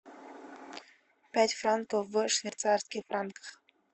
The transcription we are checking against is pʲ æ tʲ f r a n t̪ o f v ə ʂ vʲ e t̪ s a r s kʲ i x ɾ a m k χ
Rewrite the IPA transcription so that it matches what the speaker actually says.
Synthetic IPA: pʲ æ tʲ f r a n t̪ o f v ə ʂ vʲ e t̪ s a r s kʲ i f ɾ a n k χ